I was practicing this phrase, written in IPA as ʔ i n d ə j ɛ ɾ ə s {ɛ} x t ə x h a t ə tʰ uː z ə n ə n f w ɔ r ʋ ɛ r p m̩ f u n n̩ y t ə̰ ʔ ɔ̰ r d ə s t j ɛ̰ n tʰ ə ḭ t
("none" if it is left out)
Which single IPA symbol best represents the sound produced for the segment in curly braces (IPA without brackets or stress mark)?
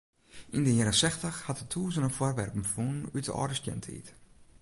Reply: ɛ